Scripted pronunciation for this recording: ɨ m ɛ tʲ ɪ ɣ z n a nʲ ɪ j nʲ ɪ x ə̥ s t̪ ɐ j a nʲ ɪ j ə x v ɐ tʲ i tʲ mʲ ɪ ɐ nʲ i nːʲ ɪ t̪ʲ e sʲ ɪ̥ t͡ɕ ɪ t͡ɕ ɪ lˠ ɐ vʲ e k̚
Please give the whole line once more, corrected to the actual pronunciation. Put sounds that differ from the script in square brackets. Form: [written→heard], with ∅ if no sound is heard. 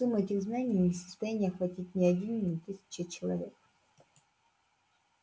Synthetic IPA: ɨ m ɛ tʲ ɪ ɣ z n a nʲ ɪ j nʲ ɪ [x→s] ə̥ s t̪ ɐ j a nʲ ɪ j ə x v ɐ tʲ i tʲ [mʲ→nʲ] ɪ ɐ [nʲ→dʲ] i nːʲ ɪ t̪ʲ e sʲ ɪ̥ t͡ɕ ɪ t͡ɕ ɪ lˠ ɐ vʲ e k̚